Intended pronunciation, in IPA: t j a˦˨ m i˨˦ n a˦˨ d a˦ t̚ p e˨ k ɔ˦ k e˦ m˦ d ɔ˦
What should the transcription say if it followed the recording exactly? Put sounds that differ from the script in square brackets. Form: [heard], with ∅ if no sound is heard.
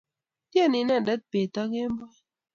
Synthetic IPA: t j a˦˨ [n] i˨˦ n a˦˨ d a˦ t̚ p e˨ [t] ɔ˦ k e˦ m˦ [b] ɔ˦